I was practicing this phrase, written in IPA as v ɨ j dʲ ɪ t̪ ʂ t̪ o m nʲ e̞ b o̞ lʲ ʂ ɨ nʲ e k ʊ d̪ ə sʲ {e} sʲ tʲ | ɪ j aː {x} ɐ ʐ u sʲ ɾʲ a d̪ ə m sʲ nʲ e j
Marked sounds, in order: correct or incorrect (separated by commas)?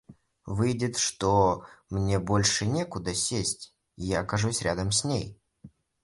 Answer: correct, incorrect